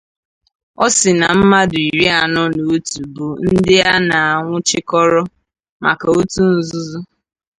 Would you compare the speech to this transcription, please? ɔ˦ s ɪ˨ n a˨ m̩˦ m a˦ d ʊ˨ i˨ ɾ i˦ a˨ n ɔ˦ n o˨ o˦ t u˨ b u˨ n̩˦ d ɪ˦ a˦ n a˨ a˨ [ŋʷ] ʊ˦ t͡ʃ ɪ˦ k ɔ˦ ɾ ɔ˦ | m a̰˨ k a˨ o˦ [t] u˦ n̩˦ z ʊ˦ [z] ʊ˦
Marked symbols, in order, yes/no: yes, yes, yes

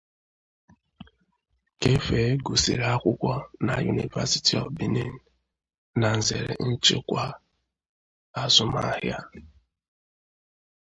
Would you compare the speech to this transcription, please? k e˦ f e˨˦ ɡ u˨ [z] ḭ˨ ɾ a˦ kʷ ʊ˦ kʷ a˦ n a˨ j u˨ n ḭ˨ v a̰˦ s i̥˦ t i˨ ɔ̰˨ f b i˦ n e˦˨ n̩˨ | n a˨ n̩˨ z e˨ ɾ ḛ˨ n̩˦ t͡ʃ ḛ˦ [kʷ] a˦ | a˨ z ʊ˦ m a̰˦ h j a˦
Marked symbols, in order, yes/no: no, yes

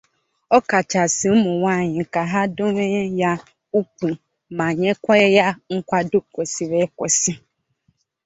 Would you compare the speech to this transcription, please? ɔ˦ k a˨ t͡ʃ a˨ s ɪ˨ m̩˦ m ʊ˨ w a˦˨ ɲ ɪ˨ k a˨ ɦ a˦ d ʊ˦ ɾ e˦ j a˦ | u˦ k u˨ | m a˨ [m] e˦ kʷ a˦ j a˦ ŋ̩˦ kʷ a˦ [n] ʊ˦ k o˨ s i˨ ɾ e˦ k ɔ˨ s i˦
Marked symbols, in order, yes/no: no, no

